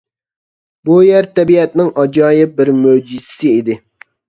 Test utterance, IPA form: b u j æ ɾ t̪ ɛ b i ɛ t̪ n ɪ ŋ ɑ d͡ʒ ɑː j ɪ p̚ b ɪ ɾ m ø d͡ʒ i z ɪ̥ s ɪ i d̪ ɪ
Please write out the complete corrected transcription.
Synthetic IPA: b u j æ ɾ t̪ ɛ b i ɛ t̪ n ɪ ŋ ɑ d͡ʒ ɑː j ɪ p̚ b ɪ ɾ m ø d͡ʒ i z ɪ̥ s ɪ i d̪ ɪ